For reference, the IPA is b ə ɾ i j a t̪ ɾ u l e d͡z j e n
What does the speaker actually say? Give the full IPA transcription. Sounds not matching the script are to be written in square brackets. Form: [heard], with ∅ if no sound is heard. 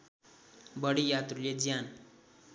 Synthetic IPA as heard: b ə [ɽ] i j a t̪ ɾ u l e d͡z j [a] n